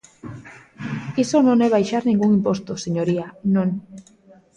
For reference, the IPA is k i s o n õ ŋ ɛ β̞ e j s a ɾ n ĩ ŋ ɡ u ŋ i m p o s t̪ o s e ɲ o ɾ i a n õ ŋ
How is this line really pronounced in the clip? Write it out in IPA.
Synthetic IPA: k i s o n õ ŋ ɛ β̞ a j ʃ a ɾ n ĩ ŋ ɡ u ŋ i m p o s t̪ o s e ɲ o ɾ i a n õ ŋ